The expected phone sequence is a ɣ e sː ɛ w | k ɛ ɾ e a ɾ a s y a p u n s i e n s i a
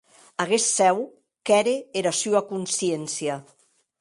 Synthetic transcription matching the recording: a ɣ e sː ɛ w | k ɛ ɾ e e ɾ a s y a k u n s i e n s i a